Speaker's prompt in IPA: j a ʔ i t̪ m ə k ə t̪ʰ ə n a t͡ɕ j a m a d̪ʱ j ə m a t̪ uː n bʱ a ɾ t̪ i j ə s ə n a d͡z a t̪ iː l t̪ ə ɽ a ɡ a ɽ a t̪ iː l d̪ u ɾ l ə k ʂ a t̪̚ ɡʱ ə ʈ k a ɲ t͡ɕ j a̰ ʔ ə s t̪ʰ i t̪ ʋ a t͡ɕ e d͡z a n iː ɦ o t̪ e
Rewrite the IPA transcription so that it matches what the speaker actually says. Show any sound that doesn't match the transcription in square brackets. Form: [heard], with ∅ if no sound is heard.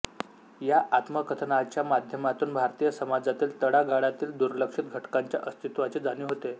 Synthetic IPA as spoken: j a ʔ [a] t̪ m ə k ə t̪ʰ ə n a t͡ɕ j a m a d̪ʱ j ə m a t̪ uː n bʱ a ɾ t̪ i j ə s ə [m] a d͡z a t̪ iː l t̪ ə ɽ a ɡ a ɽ a t̪ iː l d̪ u ɾ l ə k ʂ [i] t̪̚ ɡʱ ə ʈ k a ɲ t͡ɕ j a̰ ʔ ə s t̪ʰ i t̪ ʋ a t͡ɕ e d͡z a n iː ɦ o t̪ e